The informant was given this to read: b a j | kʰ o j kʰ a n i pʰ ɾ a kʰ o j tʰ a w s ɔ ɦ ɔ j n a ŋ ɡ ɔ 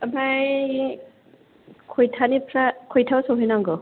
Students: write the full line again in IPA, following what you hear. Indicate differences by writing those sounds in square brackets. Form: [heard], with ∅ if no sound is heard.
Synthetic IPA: b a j | kʰ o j [tʰ] a n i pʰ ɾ a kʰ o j tʰ a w s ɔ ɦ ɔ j n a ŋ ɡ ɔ